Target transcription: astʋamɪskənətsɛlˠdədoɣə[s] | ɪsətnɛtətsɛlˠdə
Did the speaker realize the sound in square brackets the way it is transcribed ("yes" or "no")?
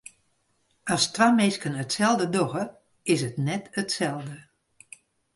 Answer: no